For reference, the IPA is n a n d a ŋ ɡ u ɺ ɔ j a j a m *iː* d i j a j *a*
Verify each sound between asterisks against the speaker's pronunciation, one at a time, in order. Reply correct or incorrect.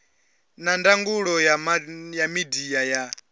incorrect: i, correct

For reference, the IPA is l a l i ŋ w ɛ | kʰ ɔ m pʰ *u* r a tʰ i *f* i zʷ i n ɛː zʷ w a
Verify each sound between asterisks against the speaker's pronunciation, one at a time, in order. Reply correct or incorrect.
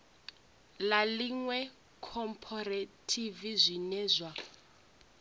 incorrect: ɔ, incorrect: v

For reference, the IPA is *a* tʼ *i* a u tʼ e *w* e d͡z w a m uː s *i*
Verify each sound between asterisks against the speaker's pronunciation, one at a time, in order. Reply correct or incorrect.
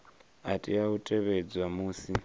correct, correct, incorrect: β, correct

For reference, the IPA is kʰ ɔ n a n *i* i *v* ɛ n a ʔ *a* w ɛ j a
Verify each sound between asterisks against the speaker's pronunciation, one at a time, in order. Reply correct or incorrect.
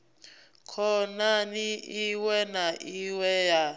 correct, incorrect: w, incorrect: i

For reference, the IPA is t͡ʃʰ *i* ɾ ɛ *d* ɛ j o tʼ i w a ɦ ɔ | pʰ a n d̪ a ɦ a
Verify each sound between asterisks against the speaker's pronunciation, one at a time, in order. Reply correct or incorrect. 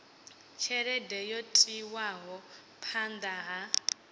incorrect: ɛ, correct

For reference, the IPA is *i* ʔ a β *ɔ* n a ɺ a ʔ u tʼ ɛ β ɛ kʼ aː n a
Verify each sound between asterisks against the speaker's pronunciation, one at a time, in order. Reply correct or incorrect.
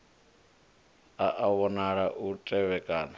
incorrect: a, correct

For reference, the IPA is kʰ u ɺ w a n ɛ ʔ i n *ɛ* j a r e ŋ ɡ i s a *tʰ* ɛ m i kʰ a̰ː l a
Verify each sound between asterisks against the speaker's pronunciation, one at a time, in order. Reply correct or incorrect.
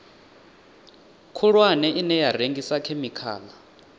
correct, incorrect: kʰ

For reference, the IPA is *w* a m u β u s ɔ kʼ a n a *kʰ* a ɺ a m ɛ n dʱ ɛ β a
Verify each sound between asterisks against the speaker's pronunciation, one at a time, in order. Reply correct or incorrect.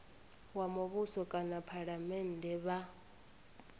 correct, incorrect: pʰ

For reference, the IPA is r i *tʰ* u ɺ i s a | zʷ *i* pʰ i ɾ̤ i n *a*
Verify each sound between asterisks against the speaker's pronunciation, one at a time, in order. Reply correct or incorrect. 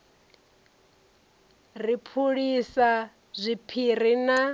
incorrect: pʰ, correct, correct

